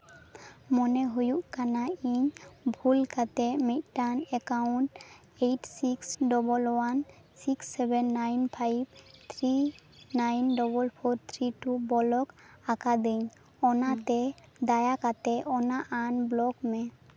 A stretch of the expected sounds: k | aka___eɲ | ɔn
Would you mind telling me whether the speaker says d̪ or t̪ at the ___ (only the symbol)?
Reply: d̪